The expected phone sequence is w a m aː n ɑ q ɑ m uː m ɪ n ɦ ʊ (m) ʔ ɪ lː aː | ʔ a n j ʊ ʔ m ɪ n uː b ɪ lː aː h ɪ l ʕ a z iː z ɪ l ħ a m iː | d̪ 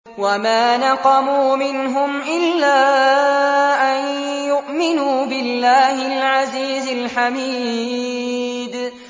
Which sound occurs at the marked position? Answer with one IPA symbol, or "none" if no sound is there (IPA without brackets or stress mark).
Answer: m